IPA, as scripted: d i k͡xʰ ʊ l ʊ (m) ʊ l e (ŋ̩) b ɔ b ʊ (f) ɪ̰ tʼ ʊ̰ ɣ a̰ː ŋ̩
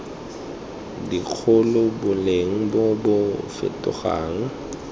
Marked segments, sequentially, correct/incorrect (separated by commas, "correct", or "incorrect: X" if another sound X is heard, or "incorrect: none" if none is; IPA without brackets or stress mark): incorrect: b, correct, correct